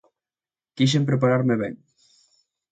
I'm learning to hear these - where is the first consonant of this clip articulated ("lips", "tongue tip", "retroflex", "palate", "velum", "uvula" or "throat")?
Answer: velum